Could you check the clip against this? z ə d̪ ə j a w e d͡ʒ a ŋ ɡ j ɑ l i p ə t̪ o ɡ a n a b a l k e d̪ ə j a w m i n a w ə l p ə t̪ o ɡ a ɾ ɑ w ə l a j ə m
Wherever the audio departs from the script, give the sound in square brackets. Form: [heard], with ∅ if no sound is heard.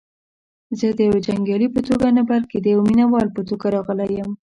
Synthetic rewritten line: z ə d̪ ə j a w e d͡ʒ a ŋ ɡ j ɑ l i p ə t̪ o ɡ a n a b a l k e d̪ ə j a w m i n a w [ɑ] l p ə t̪ o ɡ a ɾ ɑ [ɣ] ə l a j ə m